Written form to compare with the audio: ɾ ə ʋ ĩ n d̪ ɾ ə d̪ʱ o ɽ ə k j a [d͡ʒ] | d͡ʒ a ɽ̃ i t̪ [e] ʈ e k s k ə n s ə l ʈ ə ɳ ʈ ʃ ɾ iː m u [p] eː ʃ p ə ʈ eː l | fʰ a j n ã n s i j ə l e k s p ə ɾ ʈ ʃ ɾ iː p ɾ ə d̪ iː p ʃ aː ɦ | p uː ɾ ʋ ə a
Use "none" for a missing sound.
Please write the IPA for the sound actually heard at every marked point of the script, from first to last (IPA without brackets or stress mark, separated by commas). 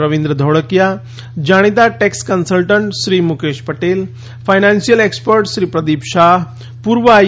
none, a, k